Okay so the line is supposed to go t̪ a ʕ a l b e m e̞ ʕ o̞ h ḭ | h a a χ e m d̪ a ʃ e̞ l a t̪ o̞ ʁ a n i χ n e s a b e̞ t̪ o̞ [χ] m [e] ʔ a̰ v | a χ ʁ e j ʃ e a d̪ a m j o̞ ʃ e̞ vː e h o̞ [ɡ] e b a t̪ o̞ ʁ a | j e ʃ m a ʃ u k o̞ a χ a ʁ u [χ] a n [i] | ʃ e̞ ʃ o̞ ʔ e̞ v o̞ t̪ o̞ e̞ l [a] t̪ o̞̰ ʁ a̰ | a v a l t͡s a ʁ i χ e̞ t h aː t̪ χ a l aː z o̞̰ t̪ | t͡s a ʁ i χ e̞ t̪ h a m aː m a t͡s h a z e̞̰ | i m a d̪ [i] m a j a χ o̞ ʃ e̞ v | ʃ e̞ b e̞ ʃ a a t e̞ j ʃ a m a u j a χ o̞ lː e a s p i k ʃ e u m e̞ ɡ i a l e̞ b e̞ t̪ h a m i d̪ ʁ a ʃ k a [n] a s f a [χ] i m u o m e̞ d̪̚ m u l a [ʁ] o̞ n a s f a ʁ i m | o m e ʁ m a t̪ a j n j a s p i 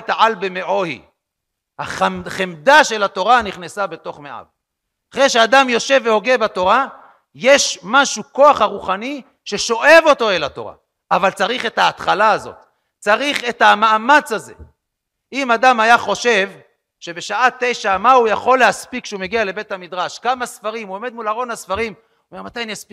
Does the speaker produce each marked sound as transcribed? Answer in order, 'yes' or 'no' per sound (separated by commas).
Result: yes, yes, yes, yes, yes, yes, no, no, no, yes